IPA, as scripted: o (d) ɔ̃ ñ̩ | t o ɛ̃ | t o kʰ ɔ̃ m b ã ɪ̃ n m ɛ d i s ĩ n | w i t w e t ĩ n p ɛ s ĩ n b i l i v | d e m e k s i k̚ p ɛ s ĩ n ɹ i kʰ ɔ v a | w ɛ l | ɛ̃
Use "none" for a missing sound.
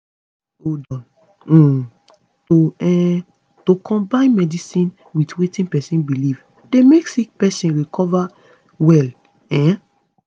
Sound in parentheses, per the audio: d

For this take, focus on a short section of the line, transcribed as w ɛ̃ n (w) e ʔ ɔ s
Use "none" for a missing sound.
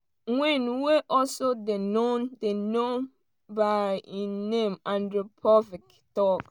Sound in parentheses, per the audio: w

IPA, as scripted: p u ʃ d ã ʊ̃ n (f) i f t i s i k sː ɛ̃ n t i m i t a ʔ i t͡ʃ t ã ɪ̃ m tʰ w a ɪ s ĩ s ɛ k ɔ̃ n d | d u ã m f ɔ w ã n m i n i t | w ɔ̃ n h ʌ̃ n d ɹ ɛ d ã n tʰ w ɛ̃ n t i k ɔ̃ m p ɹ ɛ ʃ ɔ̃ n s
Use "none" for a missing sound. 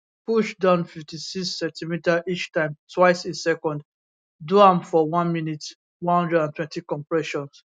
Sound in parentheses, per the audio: f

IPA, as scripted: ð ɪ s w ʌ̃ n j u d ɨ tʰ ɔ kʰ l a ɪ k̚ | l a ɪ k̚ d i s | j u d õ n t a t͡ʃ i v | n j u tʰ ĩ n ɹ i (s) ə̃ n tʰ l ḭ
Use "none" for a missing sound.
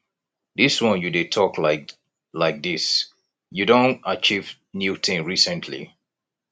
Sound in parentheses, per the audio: s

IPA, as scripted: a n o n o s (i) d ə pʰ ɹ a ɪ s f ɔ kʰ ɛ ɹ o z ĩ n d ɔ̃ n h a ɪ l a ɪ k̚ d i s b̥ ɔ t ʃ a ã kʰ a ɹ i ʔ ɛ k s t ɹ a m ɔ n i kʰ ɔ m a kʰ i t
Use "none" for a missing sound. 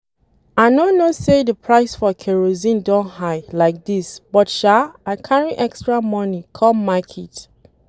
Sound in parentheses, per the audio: e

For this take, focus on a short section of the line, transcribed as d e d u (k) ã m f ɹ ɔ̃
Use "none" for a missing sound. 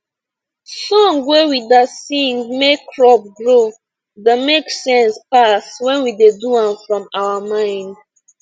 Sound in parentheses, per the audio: none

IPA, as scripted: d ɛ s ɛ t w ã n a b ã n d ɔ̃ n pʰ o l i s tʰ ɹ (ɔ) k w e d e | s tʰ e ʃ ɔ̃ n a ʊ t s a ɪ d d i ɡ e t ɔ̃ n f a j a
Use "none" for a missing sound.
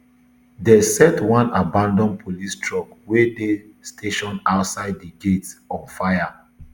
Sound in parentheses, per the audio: ɔ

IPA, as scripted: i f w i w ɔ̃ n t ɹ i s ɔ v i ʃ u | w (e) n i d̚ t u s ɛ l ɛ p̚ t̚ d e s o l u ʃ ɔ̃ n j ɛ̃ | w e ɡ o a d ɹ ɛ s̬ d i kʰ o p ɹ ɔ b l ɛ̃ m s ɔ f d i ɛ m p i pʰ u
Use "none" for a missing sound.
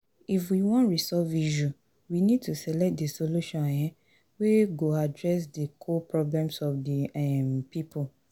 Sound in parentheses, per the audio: i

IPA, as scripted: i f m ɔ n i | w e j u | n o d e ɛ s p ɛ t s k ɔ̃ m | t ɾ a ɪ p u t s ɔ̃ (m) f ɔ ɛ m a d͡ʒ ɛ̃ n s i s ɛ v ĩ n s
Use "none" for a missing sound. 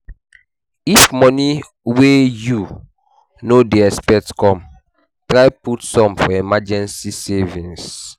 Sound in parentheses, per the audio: m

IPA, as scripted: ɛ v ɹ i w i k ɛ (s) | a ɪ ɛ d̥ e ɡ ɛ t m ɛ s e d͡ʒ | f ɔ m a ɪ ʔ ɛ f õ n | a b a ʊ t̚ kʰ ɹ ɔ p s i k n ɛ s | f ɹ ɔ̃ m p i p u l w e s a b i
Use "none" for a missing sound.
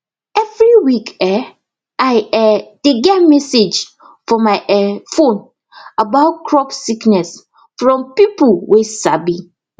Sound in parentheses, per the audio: none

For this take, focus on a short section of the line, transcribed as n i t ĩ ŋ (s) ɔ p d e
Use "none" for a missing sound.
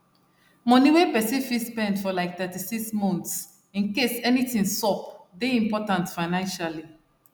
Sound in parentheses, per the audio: s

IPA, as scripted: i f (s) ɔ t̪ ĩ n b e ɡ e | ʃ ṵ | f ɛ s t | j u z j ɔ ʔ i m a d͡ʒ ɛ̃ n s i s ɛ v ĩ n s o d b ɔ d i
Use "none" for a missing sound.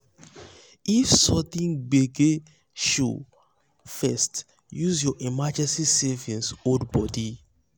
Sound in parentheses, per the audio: s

